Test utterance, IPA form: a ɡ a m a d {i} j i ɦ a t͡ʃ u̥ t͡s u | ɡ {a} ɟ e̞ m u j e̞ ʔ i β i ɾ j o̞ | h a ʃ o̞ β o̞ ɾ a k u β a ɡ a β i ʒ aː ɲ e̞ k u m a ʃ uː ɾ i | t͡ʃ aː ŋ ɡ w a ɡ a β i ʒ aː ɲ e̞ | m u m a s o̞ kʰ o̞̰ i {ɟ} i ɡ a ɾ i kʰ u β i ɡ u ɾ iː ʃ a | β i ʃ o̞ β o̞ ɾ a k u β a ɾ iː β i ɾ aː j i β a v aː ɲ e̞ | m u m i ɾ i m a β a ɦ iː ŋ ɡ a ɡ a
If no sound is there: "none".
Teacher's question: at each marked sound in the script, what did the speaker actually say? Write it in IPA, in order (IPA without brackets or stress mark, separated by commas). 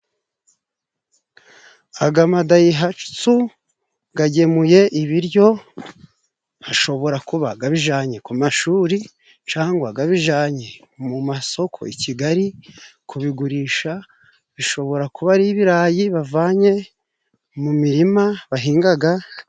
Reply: a, a, c